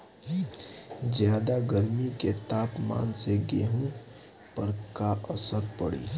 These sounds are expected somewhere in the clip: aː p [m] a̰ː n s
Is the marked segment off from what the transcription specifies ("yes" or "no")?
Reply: no